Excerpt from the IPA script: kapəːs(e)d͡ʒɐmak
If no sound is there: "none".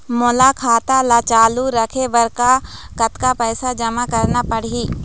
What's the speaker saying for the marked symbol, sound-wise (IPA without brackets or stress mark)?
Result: a